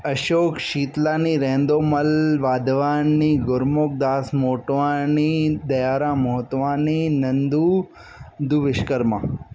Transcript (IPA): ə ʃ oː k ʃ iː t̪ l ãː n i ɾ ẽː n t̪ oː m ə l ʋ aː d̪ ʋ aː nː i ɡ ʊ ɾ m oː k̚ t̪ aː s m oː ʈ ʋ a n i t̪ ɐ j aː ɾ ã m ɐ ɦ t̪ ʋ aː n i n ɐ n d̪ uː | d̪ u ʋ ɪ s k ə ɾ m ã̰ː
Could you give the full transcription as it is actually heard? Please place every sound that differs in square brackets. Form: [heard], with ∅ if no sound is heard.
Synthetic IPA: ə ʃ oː k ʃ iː t̪ l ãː n i ɾ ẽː n [d̪] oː m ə l ʋ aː d̪ ʋ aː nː i ɡ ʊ ɾ m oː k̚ [d̪] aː s m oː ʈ ʋ a n i [d̪] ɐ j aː ɾ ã m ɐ ɦ t̪ ʋ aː n i n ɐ n d̪ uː | d̪ u ʋ ɪ [ʃ] k ə ɾ m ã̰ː